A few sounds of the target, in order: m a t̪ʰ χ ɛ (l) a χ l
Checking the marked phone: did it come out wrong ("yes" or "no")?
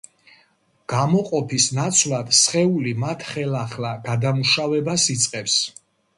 no